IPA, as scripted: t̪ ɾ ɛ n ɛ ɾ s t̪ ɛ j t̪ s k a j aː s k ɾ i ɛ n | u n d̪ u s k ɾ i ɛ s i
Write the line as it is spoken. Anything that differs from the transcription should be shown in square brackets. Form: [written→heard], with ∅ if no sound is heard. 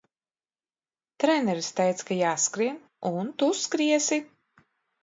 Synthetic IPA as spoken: t̪ ɾ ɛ n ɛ ɾ s t̪ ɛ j t̪ s k a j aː s k ɾ i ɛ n | u n [d̪→t̪] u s k ɾ i ɛ s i